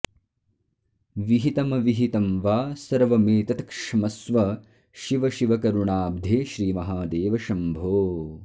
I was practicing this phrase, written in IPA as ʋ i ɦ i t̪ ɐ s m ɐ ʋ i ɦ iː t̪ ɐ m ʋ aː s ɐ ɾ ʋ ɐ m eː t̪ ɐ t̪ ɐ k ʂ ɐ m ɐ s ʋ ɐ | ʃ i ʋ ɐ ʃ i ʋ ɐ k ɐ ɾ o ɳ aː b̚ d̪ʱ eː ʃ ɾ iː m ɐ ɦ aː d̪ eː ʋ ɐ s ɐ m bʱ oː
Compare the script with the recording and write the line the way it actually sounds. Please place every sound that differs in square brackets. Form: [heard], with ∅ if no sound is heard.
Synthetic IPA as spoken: ʋ i ɦ i t̪ ɐ [∅] m ɐ ʋ i ɦ [i] t̪ ɐ m ʋ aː s ɐ ɾ ʋ ɐ m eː t̪ ɐ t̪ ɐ k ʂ ɐ m ɐ s ʋ ɐ | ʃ i ʋ ɐ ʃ i ʋ ɐ k ɐ ɾ [u] ɳ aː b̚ d̪ʱ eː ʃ ɾ iː m ɐ ɦ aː d̪ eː ʋ ɐ [ʃ] ɐ m bʱ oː